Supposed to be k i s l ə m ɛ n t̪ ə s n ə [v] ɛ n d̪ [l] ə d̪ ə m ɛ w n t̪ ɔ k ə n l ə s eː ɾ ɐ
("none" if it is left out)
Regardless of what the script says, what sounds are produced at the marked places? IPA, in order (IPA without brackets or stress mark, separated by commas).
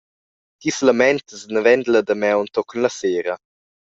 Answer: v, l